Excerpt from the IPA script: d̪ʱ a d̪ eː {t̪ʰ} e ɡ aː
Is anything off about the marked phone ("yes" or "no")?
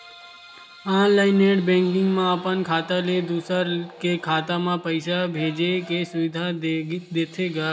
no